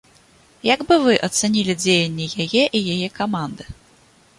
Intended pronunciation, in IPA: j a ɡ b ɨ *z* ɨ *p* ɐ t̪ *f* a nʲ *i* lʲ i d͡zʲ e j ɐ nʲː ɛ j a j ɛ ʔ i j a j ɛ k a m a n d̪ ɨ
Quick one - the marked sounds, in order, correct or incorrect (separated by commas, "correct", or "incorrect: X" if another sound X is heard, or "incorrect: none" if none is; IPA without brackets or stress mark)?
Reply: incorrect: v, incorrect: ʔ, incorrect: s, correct